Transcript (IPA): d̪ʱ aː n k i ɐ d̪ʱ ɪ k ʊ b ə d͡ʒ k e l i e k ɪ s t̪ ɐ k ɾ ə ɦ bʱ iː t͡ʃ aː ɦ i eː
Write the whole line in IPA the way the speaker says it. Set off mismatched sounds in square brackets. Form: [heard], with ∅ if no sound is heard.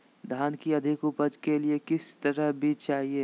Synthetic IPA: d̪ʱ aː n k i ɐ d̪ʱ ɪ k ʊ [p] ə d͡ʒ k e l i e k ɪ s t̪ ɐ [∅] ɾ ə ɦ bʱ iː t͡ʃ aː ɦ i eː